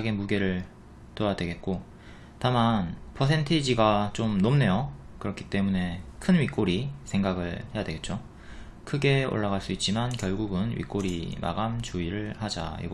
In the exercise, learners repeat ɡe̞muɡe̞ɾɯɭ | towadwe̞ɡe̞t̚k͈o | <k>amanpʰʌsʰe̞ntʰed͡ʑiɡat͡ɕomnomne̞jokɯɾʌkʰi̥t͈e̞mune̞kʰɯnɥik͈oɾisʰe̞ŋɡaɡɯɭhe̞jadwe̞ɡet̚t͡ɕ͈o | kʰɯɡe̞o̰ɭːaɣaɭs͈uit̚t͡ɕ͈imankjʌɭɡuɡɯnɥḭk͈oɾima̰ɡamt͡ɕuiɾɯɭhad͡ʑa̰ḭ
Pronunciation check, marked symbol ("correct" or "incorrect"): incorrect